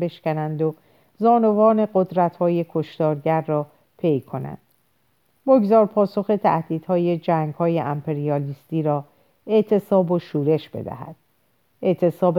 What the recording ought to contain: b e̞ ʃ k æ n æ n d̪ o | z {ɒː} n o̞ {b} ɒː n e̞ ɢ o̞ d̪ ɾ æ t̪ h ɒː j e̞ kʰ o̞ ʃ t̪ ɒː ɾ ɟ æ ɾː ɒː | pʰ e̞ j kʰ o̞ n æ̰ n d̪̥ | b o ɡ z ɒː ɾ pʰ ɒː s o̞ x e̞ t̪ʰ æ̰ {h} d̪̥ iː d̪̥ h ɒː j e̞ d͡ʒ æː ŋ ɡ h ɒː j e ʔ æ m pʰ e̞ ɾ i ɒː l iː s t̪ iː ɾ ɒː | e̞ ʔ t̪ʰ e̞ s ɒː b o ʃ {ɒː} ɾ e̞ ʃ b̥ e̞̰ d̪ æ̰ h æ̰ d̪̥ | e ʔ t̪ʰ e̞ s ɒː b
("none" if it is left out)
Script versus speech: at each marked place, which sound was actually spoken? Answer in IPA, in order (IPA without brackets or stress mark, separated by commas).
ɒː, v, h, uː